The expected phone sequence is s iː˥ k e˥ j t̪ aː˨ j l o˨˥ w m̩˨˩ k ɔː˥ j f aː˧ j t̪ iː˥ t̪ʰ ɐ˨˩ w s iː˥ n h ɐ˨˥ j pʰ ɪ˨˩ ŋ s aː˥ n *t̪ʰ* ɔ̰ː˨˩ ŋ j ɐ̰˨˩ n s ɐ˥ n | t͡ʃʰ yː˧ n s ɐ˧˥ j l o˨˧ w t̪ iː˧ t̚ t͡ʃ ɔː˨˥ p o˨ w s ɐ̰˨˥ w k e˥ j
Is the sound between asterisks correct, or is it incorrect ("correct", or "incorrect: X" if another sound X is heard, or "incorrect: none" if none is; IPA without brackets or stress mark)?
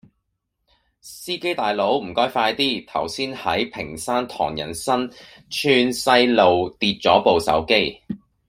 correct